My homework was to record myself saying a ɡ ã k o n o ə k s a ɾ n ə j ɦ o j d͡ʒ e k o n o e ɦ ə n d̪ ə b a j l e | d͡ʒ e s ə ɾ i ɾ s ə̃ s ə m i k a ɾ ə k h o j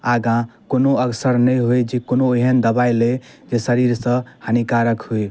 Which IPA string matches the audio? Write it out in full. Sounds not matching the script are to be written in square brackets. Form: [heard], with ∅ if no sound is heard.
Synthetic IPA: a ɡ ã k o n o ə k s [ə] ɾ n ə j ɦ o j d͡ʒ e k o n o e ɦ ə n d̪ ə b a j l e | d͡ʒ e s ə ɾ i ɾ s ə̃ [h] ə [n] i k a ɾ ə k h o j